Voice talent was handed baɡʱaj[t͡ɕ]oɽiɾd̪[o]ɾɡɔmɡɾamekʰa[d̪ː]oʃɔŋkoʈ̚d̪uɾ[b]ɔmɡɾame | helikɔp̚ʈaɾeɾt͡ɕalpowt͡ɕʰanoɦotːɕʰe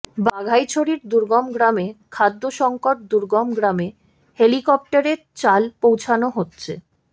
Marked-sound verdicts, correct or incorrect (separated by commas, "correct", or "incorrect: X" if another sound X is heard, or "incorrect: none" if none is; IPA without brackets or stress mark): incorrect: t͡ɕʰ, incorrect: u, correct, incorrect: ɡ